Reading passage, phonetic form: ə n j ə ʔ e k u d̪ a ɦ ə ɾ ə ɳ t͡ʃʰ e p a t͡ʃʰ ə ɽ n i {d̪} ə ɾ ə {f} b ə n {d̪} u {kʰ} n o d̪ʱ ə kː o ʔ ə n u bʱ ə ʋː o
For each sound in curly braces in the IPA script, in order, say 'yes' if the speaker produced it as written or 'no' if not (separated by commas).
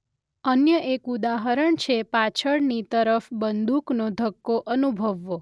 no, yes, yes, no